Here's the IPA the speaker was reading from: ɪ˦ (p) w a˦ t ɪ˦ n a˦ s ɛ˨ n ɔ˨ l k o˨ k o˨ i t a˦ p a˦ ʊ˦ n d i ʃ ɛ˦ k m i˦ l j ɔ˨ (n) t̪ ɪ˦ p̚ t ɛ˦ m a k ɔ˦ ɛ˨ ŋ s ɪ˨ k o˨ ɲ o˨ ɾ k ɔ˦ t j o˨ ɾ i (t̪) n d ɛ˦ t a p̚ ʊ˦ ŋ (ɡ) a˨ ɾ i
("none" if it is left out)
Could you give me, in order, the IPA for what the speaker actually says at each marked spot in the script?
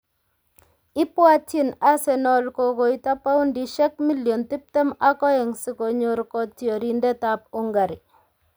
p, n, none, ɡ

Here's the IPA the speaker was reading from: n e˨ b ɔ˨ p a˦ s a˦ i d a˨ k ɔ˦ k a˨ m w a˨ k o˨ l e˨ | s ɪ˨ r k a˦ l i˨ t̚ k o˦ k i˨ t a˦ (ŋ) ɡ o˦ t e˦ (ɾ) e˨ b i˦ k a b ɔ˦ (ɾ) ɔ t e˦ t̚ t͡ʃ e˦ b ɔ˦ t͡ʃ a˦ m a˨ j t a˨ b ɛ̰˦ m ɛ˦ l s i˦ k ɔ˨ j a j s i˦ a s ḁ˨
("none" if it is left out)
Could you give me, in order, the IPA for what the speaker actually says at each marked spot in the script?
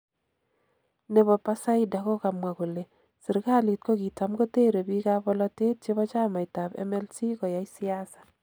m, ɾ, l

